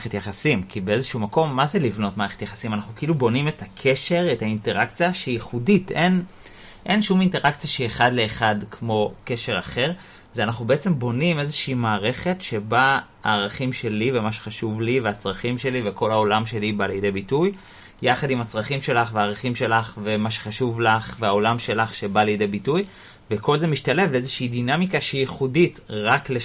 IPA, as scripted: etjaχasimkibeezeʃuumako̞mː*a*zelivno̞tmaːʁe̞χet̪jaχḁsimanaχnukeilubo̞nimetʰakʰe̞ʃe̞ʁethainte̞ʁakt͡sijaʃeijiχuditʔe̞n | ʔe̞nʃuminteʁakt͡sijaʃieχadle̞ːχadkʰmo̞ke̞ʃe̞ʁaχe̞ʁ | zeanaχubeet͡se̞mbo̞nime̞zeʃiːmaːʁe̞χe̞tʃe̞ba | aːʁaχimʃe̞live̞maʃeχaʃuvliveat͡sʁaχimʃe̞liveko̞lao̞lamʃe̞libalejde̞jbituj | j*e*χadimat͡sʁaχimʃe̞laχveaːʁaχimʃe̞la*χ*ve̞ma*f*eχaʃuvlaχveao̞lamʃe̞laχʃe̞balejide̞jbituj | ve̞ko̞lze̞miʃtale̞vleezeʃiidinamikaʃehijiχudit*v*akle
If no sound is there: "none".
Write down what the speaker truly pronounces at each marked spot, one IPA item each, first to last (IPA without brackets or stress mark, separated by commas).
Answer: a, a, χ, ʃ, ʁ